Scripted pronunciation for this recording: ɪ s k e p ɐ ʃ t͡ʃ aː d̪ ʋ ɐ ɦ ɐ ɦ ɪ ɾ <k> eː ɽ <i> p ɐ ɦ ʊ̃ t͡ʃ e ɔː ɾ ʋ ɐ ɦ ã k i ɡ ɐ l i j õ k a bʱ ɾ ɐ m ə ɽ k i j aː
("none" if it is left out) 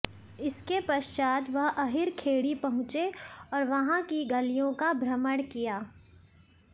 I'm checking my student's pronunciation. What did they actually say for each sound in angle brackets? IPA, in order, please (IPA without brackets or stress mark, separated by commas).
kʰ, i